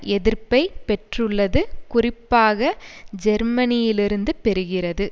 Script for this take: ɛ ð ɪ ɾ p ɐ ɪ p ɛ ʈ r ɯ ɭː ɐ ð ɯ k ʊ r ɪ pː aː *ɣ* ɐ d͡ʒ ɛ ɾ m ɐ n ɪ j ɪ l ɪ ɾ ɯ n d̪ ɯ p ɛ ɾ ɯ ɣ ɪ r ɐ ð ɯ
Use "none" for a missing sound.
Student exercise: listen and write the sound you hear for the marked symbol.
ɣ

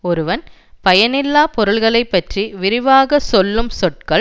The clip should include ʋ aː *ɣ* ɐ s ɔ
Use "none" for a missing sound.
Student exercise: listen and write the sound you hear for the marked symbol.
ɣ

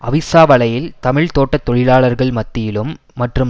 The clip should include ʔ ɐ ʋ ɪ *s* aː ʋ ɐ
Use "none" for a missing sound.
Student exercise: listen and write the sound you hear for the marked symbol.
s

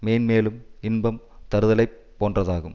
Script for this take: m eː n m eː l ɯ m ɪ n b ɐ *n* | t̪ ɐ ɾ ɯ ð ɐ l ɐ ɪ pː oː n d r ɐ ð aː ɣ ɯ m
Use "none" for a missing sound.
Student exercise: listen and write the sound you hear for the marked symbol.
m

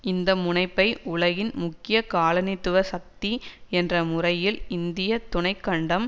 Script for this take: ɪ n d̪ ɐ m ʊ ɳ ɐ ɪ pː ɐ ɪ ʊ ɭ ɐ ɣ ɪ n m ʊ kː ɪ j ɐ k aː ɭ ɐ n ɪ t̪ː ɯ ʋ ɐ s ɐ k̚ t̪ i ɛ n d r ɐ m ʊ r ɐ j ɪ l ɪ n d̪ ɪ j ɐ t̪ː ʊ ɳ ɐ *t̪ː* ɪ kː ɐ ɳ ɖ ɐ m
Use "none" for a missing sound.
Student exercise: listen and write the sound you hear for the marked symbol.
none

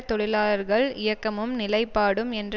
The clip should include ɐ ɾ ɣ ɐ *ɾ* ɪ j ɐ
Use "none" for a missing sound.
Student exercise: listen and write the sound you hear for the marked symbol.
ɭ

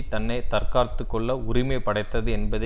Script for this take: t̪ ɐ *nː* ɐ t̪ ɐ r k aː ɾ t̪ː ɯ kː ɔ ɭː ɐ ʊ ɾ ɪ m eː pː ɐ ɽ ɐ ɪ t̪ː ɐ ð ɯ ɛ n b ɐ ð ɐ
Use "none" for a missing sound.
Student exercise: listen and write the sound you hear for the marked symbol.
nː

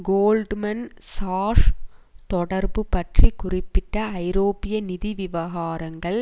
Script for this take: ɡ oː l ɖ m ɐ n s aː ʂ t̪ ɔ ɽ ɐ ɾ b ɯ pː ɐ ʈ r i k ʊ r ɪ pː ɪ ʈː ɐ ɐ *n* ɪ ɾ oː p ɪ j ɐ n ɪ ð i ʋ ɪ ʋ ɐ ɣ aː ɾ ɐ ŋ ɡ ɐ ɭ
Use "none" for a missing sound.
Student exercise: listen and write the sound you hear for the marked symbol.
none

